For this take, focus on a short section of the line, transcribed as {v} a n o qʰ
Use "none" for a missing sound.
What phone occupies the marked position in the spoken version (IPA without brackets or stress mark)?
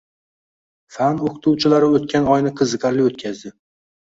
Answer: f